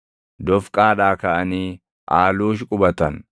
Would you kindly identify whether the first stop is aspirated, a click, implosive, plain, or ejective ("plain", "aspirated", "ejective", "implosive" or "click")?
plain